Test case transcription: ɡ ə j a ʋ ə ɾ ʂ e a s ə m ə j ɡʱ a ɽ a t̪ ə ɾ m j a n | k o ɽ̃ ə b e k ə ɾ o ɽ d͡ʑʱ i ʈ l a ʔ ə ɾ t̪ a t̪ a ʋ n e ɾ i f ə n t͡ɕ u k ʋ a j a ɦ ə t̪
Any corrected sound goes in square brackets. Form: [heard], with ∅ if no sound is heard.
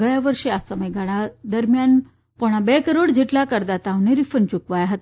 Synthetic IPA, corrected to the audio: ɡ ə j a ʋ ə ɾ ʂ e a s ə m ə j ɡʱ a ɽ a [d̪] ə ɾ m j a n | [p] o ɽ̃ [a] b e k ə ɾ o ɽ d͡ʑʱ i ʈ l a [k] ə ɾ [d̪] a t̪ a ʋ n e ɾ i f ə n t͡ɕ u k ʋ a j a ɦ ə t̪